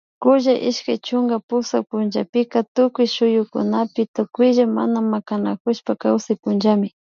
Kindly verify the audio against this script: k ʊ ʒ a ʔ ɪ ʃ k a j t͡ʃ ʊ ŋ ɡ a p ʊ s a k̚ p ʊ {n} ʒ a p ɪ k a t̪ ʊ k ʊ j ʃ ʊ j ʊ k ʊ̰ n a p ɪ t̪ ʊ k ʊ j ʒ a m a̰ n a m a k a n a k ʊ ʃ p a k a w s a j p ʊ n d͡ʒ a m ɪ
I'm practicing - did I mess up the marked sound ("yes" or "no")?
no